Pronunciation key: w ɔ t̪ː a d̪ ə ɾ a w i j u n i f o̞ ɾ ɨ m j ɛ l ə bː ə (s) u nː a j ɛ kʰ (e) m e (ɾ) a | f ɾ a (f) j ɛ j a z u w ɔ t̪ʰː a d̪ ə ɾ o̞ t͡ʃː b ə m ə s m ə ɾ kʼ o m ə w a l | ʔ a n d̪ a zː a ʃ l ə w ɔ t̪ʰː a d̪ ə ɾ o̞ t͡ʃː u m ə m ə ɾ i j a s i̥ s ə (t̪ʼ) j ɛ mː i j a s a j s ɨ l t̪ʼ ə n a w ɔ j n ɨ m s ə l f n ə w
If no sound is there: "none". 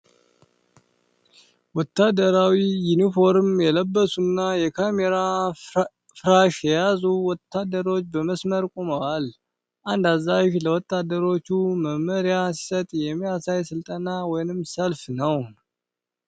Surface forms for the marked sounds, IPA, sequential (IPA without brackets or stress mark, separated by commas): s, a, ɾ, ʃ, t̪ʼ